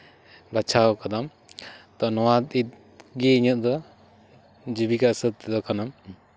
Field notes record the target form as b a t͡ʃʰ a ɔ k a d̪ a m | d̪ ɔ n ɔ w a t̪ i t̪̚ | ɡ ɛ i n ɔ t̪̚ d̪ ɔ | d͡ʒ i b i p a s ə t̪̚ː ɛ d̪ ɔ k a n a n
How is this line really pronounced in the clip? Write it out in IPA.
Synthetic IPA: b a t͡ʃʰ a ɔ k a d̪ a m | t̪ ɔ n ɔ w a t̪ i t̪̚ | ɡ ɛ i ɲ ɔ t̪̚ d̪ ɔ | d͡ʒ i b i k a s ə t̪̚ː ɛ d̪ ɔ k a n a m